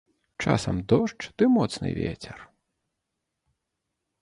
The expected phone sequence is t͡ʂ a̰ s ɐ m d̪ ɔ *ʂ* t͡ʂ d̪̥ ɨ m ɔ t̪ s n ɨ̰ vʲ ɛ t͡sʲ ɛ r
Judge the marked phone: correct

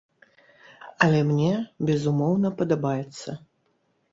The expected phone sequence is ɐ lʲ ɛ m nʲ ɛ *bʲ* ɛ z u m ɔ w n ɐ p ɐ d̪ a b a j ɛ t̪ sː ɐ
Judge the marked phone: correct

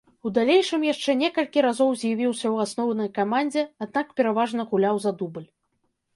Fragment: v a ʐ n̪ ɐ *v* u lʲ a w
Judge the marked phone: incorrect: ɣ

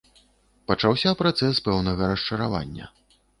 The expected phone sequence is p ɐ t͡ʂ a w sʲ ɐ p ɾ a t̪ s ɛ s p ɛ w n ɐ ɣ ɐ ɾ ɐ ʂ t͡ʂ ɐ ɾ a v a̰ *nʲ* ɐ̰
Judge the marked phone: incorrect: nʲː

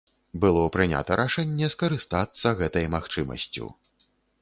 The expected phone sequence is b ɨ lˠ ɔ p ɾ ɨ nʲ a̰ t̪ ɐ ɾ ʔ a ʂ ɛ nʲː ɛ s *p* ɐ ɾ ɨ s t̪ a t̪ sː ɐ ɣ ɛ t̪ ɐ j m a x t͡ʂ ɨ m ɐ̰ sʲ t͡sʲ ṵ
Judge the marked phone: incorrect: k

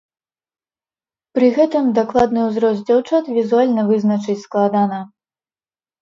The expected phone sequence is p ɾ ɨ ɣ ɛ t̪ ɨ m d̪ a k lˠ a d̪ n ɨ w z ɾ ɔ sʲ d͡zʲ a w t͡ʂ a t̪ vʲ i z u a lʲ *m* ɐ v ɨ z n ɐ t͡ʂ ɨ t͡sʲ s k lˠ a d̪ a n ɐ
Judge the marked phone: incorrect: n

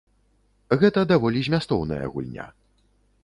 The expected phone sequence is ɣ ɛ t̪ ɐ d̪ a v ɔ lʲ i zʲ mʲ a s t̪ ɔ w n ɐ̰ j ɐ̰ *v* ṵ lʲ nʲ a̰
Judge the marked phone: incorrect: ɣ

